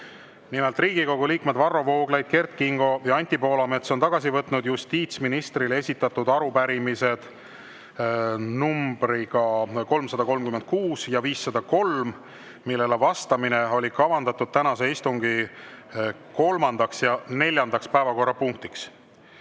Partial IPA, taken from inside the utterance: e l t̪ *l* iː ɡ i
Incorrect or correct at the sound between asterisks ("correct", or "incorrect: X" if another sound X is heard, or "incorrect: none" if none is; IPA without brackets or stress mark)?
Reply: incorrect: r